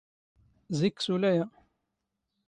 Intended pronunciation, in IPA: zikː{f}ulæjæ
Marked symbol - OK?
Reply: no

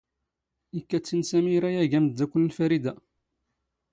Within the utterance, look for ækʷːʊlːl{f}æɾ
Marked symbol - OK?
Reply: yes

